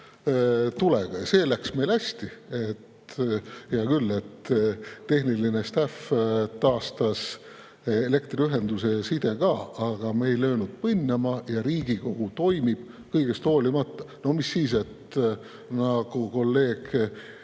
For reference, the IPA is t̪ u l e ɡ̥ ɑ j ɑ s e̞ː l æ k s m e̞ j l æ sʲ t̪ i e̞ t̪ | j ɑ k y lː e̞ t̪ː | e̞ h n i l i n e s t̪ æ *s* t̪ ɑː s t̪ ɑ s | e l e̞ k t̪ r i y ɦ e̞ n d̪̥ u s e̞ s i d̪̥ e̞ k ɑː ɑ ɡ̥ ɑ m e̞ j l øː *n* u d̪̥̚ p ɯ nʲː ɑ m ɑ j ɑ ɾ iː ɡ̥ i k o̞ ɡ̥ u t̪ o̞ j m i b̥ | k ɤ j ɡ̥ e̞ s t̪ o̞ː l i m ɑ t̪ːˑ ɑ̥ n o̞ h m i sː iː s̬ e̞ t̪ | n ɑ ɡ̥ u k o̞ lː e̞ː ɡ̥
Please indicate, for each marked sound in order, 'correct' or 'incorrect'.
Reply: incorrect: f, correct

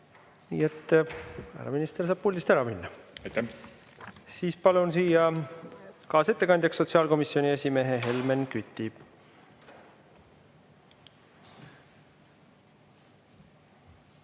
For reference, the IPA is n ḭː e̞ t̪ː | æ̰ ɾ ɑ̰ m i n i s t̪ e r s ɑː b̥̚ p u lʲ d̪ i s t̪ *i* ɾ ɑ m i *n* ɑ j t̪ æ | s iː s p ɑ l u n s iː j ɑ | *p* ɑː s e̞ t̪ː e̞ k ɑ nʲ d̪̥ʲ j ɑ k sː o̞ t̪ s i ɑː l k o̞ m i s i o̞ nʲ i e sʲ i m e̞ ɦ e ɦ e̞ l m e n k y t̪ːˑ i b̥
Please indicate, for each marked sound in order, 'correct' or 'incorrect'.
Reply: incorrect: æ, incorrect: nː, incorrect: k

